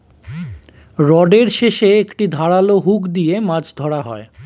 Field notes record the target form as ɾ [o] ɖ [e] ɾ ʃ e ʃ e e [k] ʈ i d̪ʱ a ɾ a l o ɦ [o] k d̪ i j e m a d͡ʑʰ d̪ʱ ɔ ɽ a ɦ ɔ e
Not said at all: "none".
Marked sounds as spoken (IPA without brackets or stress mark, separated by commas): ɔ, e, k, u